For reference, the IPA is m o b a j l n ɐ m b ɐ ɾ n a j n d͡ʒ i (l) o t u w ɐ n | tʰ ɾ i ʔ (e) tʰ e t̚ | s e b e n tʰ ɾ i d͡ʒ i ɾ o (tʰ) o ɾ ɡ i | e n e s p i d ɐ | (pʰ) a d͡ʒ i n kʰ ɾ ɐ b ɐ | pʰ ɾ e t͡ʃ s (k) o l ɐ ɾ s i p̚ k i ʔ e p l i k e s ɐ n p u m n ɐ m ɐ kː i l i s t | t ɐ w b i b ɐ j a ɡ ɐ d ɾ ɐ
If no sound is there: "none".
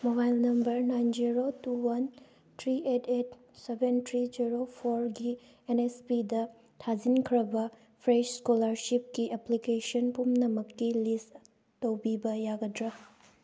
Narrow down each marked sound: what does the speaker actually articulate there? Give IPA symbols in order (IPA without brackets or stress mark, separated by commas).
ɾ, e, pʰ, tʰ, k